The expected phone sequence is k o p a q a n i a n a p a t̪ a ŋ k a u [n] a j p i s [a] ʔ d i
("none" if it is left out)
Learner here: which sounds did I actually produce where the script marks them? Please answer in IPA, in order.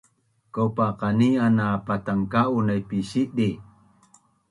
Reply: n, i

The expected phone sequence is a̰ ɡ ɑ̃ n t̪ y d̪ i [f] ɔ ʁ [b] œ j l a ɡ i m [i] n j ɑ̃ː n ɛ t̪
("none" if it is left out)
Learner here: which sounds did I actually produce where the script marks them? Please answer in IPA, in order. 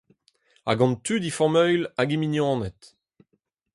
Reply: f, m, i

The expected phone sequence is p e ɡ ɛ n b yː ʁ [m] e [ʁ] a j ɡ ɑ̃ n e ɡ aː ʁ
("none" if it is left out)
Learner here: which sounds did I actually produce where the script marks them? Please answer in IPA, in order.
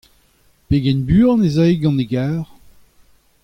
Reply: n, z

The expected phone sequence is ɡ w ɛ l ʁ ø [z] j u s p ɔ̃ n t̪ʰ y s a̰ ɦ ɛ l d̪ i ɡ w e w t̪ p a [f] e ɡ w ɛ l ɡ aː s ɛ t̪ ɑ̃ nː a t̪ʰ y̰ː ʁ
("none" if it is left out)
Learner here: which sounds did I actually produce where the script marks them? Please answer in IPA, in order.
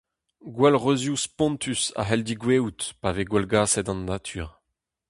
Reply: z, v

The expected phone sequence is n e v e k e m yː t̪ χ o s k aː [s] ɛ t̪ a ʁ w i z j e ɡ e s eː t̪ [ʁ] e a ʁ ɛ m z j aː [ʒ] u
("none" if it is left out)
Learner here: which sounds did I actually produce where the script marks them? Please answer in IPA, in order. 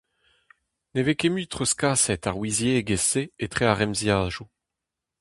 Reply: s, χ, ʒ

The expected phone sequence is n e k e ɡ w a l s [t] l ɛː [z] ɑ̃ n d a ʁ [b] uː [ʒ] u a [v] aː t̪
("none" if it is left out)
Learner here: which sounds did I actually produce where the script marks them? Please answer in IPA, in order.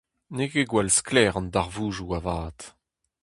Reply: k, ʁ, v, ʒ, v

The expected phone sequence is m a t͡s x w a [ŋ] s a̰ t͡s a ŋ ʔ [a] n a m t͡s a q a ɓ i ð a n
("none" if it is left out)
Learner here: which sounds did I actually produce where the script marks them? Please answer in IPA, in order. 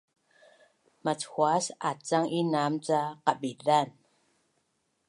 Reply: none, i

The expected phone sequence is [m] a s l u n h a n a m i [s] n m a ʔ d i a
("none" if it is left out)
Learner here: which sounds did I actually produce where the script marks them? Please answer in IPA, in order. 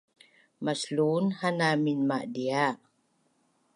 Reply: m, none

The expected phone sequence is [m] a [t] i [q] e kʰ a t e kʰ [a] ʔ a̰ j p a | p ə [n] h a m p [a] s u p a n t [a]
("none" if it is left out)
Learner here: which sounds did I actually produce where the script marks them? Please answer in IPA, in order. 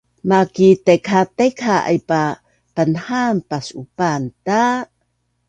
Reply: m, k, t, a, n, a, a

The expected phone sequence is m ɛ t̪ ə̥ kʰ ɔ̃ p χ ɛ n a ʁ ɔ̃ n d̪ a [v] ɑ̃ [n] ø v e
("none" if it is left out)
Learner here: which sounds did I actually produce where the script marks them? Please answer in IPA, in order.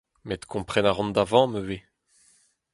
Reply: v, m

